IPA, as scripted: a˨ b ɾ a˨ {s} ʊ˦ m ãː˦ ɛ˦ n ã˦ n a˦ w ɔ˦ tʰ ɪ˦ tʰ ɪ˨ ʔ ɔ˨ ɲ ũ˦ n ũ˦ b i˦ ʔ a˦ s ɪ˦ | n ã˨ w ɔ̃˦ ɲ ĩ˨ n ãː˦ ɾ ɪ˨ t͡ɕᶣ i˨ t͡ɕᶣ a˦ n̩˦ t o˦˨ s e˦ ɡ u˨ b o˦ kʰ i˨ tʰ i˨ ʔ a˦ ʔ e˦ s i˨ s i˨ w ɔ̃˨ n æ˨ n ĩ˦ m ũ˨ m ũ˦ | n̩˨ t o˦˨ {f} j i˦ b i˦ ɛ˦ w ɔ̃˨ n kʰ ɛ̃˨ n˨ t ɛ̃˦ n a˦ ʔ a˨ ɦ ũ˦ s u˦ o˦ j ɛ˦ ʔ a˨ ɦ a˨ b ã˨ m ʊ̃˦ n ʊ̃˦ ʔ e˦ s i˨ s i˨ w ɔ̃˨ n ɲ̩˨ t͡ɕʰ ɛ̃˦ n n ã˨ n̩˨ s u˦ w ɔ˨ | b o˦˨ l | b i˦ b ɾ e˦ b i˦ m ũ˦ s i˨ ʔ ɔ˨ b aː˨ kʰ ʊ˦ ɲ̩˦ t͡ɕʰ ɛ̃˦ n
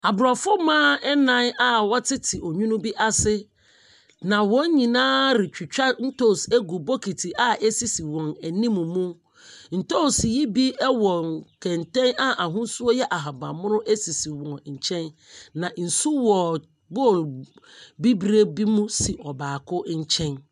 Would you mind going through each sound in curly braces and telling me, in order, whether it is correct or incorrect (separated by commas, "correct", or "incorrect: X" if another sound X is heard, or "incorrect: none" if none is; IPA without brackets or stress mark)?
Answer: incorrect: f, incorrect: s